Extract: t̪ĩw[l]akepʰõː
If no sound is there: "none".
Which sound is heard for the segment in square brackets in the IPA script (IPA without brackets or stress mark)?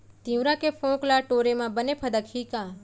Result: ɾ